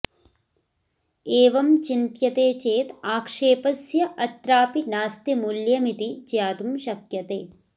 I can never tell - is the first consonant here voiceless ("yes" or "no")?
no